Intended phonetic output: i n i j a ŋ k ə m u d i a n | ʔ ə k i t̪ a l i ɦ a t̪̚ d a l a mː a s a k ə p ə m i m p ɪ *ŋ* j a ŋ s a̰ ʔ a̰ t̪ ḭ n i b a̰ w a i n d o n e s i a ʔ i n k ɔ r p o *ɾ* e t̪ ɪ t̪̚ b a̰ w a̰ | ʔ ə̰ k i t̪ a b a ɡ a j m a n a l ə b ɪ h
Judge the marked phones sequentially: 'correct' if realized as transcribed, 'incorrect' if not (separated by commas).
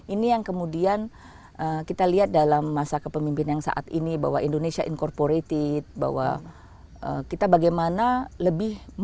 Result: incorrect, correct